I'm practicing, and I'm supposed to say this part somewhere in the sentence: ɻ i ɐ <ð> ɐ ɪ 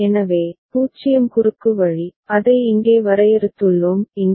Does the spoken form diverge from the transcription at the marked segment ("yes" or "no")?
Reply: no